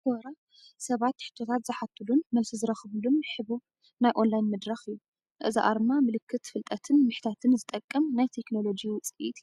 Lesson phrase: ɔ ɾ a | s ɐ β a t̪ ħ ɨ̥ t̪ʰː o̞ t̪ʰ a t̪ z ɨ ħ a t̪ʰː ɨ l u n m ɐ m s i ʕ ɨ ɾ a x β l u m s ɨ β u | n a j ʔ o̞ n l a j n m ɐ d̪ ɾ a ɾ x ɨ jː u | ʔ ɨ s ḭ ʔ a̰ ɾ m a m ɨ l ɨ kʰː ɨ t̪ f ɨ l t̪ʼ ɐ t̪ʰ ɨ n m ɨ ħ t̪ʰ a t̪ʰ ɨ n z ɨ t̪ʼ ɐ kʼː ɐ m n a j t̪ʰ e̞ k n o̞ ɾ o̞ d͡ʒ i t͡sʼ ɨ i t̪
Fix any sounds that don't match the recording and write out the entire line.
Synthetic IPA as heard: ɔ ɾ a | s ɐ β a t̪ ħ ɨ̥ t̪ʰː o̞ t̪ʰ a t̪ z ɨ ħ a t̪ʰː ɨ l u n m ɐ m s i z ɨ ɾ ɐ x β l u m ħ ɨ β u | n a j ʔ o̞ n l a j n m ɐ d̪ ɾ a x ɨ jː u | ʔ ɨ z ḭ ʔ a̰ ɾ m a m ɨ l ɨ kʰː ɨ t̪ f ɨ l t̪ʼ ɐ t̪ʰ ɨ n m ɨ ħ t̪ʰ a t̪ʰ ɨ n z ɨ t̪ʼ ɐ kʼː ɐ m n a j t̪ʰ e̞ k n o̞ l o̞ d͡ʒ i t͡sʼ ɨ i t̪

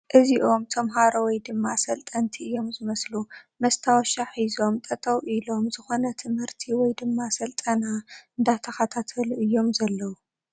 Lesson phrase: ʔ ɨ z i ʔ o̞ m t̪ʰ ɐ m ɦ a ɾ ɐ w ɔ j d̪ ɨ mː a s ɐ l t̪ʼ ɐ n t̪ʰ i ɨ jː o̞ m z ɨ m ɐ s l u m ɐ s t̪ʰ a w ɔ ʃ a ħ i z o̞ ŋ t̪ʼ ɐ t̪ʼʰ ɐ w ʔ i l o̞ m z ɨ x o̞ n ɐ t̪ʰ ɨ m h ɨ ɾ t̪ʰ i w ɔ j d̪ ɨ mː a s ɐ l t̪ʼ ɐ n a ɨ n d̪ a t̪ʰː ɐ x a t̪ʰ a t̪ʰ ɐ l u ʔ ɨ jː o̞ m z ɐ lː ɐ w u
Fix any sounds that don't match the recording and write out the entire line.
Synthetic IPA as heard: ʔ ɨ z i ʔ o̞ m t̪ʰ ɐ m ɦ a ɾ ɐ w ɔ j d̪ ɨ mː a s ɐ l t̪ʼ ɐ n t̪ʰ i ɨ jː o̞ m z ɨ m ɐ s l u m ɐ s t̪ʰ a w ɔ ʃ a ħ i z o̞ m t̪ʼ ɐ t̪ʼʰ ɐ w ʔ i l o̞ m z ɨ x o̞ n ɐ t̪ʰ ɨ m h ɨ ɾ t̪ʰ i w ɔ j d̪ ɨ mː a s ɐ l t̪ʼ ɐ n a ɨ n d̪ a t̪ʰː ɐ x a t̪ʰ a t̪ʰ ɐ l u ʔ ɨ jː o̞ m z ɐ lː ɐ w u

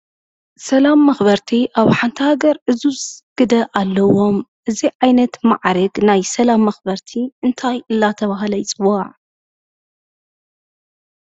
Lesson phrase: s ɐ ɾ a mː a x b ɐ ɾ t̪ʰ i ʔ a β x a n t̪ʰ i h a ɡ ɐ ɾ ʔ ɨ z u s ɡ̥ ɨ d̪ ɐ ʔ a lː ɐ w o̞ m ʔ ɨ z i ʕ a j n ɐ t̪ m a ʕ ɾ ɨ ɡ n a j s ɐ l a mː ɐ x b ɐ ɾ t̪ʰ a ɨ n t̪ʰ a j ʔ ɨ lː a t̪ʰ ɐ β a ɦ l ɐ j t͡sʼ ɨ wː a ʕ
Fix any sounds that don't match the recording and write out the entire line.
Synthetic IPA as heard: s ɐ l a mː ɐ x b ɐ ɾ t̪ʰ i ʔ a β ħ a n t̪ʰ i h a ɡ ɐ ɾ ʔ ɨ z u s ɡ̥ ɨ d̪ ɐ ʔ a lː ɐ w o̞ m ʔ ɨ z i ʕ a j n ɐ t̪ m a ʕ ɾ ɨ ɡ n a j s ɐ l a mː ɐ x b ɐ ɾ t̪ʰ i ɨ n t̪ʰ a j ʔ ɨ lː a t̪ʰ ɐ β a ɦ l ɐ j t͡sʼ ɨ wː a ʕ

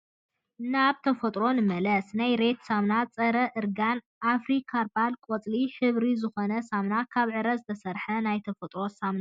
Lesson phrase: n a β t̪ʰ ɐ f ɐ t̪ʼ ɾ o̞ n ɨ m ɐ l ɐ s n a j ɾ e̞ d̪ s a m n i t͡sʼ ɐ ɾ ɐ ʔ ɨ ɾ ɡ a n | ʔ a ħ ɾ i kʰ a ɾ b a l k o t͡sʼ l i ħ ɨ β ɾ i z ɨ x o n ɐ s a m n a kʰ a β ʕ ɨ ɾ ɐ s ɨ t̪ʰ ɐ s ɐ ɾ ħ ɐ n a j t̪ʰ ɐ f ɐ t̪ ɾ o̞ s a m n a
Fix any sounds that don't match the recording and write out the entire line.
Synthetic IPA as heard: n a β t̪ʰ ɐ f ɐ t̪ʼ ɾ o̞ n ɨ m ɐ l ɐ s n a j ɾ e̞ t̪ s a m n a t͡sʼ ɐ ɾ ɐ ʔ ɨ ɾ ɡ a n | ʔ a f ɾ i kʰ a ɾ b a l kʼ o t͡sʼ l i ħ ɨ β ɾ i z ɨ x o n ɐ s a m n a kʰ a β ʕ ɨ ɾ ɐ z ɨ t̪ʰ ɐ s ɐ ɾ ħ ɐ n a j t̪ʰ ɐ f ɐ t̪ʼ ɾ o̞ s a m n a

